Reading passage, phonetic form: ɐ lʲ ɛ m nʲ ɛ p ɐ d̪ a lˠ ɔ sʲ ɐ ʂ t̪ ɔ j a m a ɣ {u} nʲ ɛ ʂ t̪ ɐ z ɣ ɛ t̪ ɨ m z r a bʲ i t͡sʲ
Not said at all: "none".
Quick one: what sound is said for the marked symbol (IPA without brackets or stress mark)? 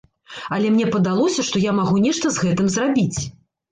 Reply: u